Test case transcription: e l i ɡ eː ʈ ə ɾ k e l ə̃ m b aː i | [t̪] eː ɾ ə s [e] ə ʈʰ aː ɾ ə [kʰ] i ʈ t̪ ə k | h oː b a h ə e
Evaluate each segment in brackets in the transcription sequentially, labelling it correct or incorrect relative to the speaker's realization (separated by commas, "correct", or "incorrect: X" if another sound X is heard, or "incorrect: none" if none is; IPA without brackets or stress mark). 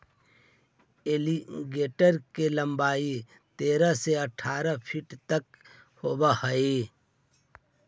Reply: correct, correct, incorrect: pʰ